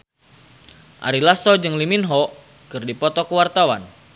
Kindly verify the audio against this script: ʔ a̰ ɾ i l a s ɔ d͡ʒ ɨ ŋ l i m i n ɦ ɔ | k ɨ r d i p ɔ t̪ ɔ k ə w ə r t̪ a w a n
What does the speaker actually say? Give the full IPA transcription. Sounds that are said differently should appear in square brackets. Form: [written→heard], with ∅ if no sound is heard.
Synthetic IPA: ʔ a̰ ɾ i l a s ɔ d͡ʒ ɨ ŋ l i m i n ɦ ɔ | k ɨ r d i p ɔ t̪ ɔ k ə w [ə→a] r t̪ a w a n